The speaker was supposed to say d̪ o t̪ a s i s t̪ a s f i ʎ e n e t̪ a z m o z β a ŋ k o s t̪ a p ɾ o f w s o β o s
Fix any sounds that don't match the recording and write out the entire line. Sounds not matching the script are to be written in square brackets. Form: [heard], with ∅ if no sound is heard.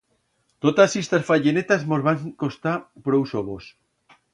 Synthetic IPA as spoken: [t̪] o t̪ a s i s t̪ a s f [a] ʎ e n e t̪ a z m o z β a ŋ k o s t̪ a p ɾ o [∅] w s o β o s